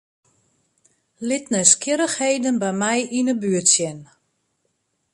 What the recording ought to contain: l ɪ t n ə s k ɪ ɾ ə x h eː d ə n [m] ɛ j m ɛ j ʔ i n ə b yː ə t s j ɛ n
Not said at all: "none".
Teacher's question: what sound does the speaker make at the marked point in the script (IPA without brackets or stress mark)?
b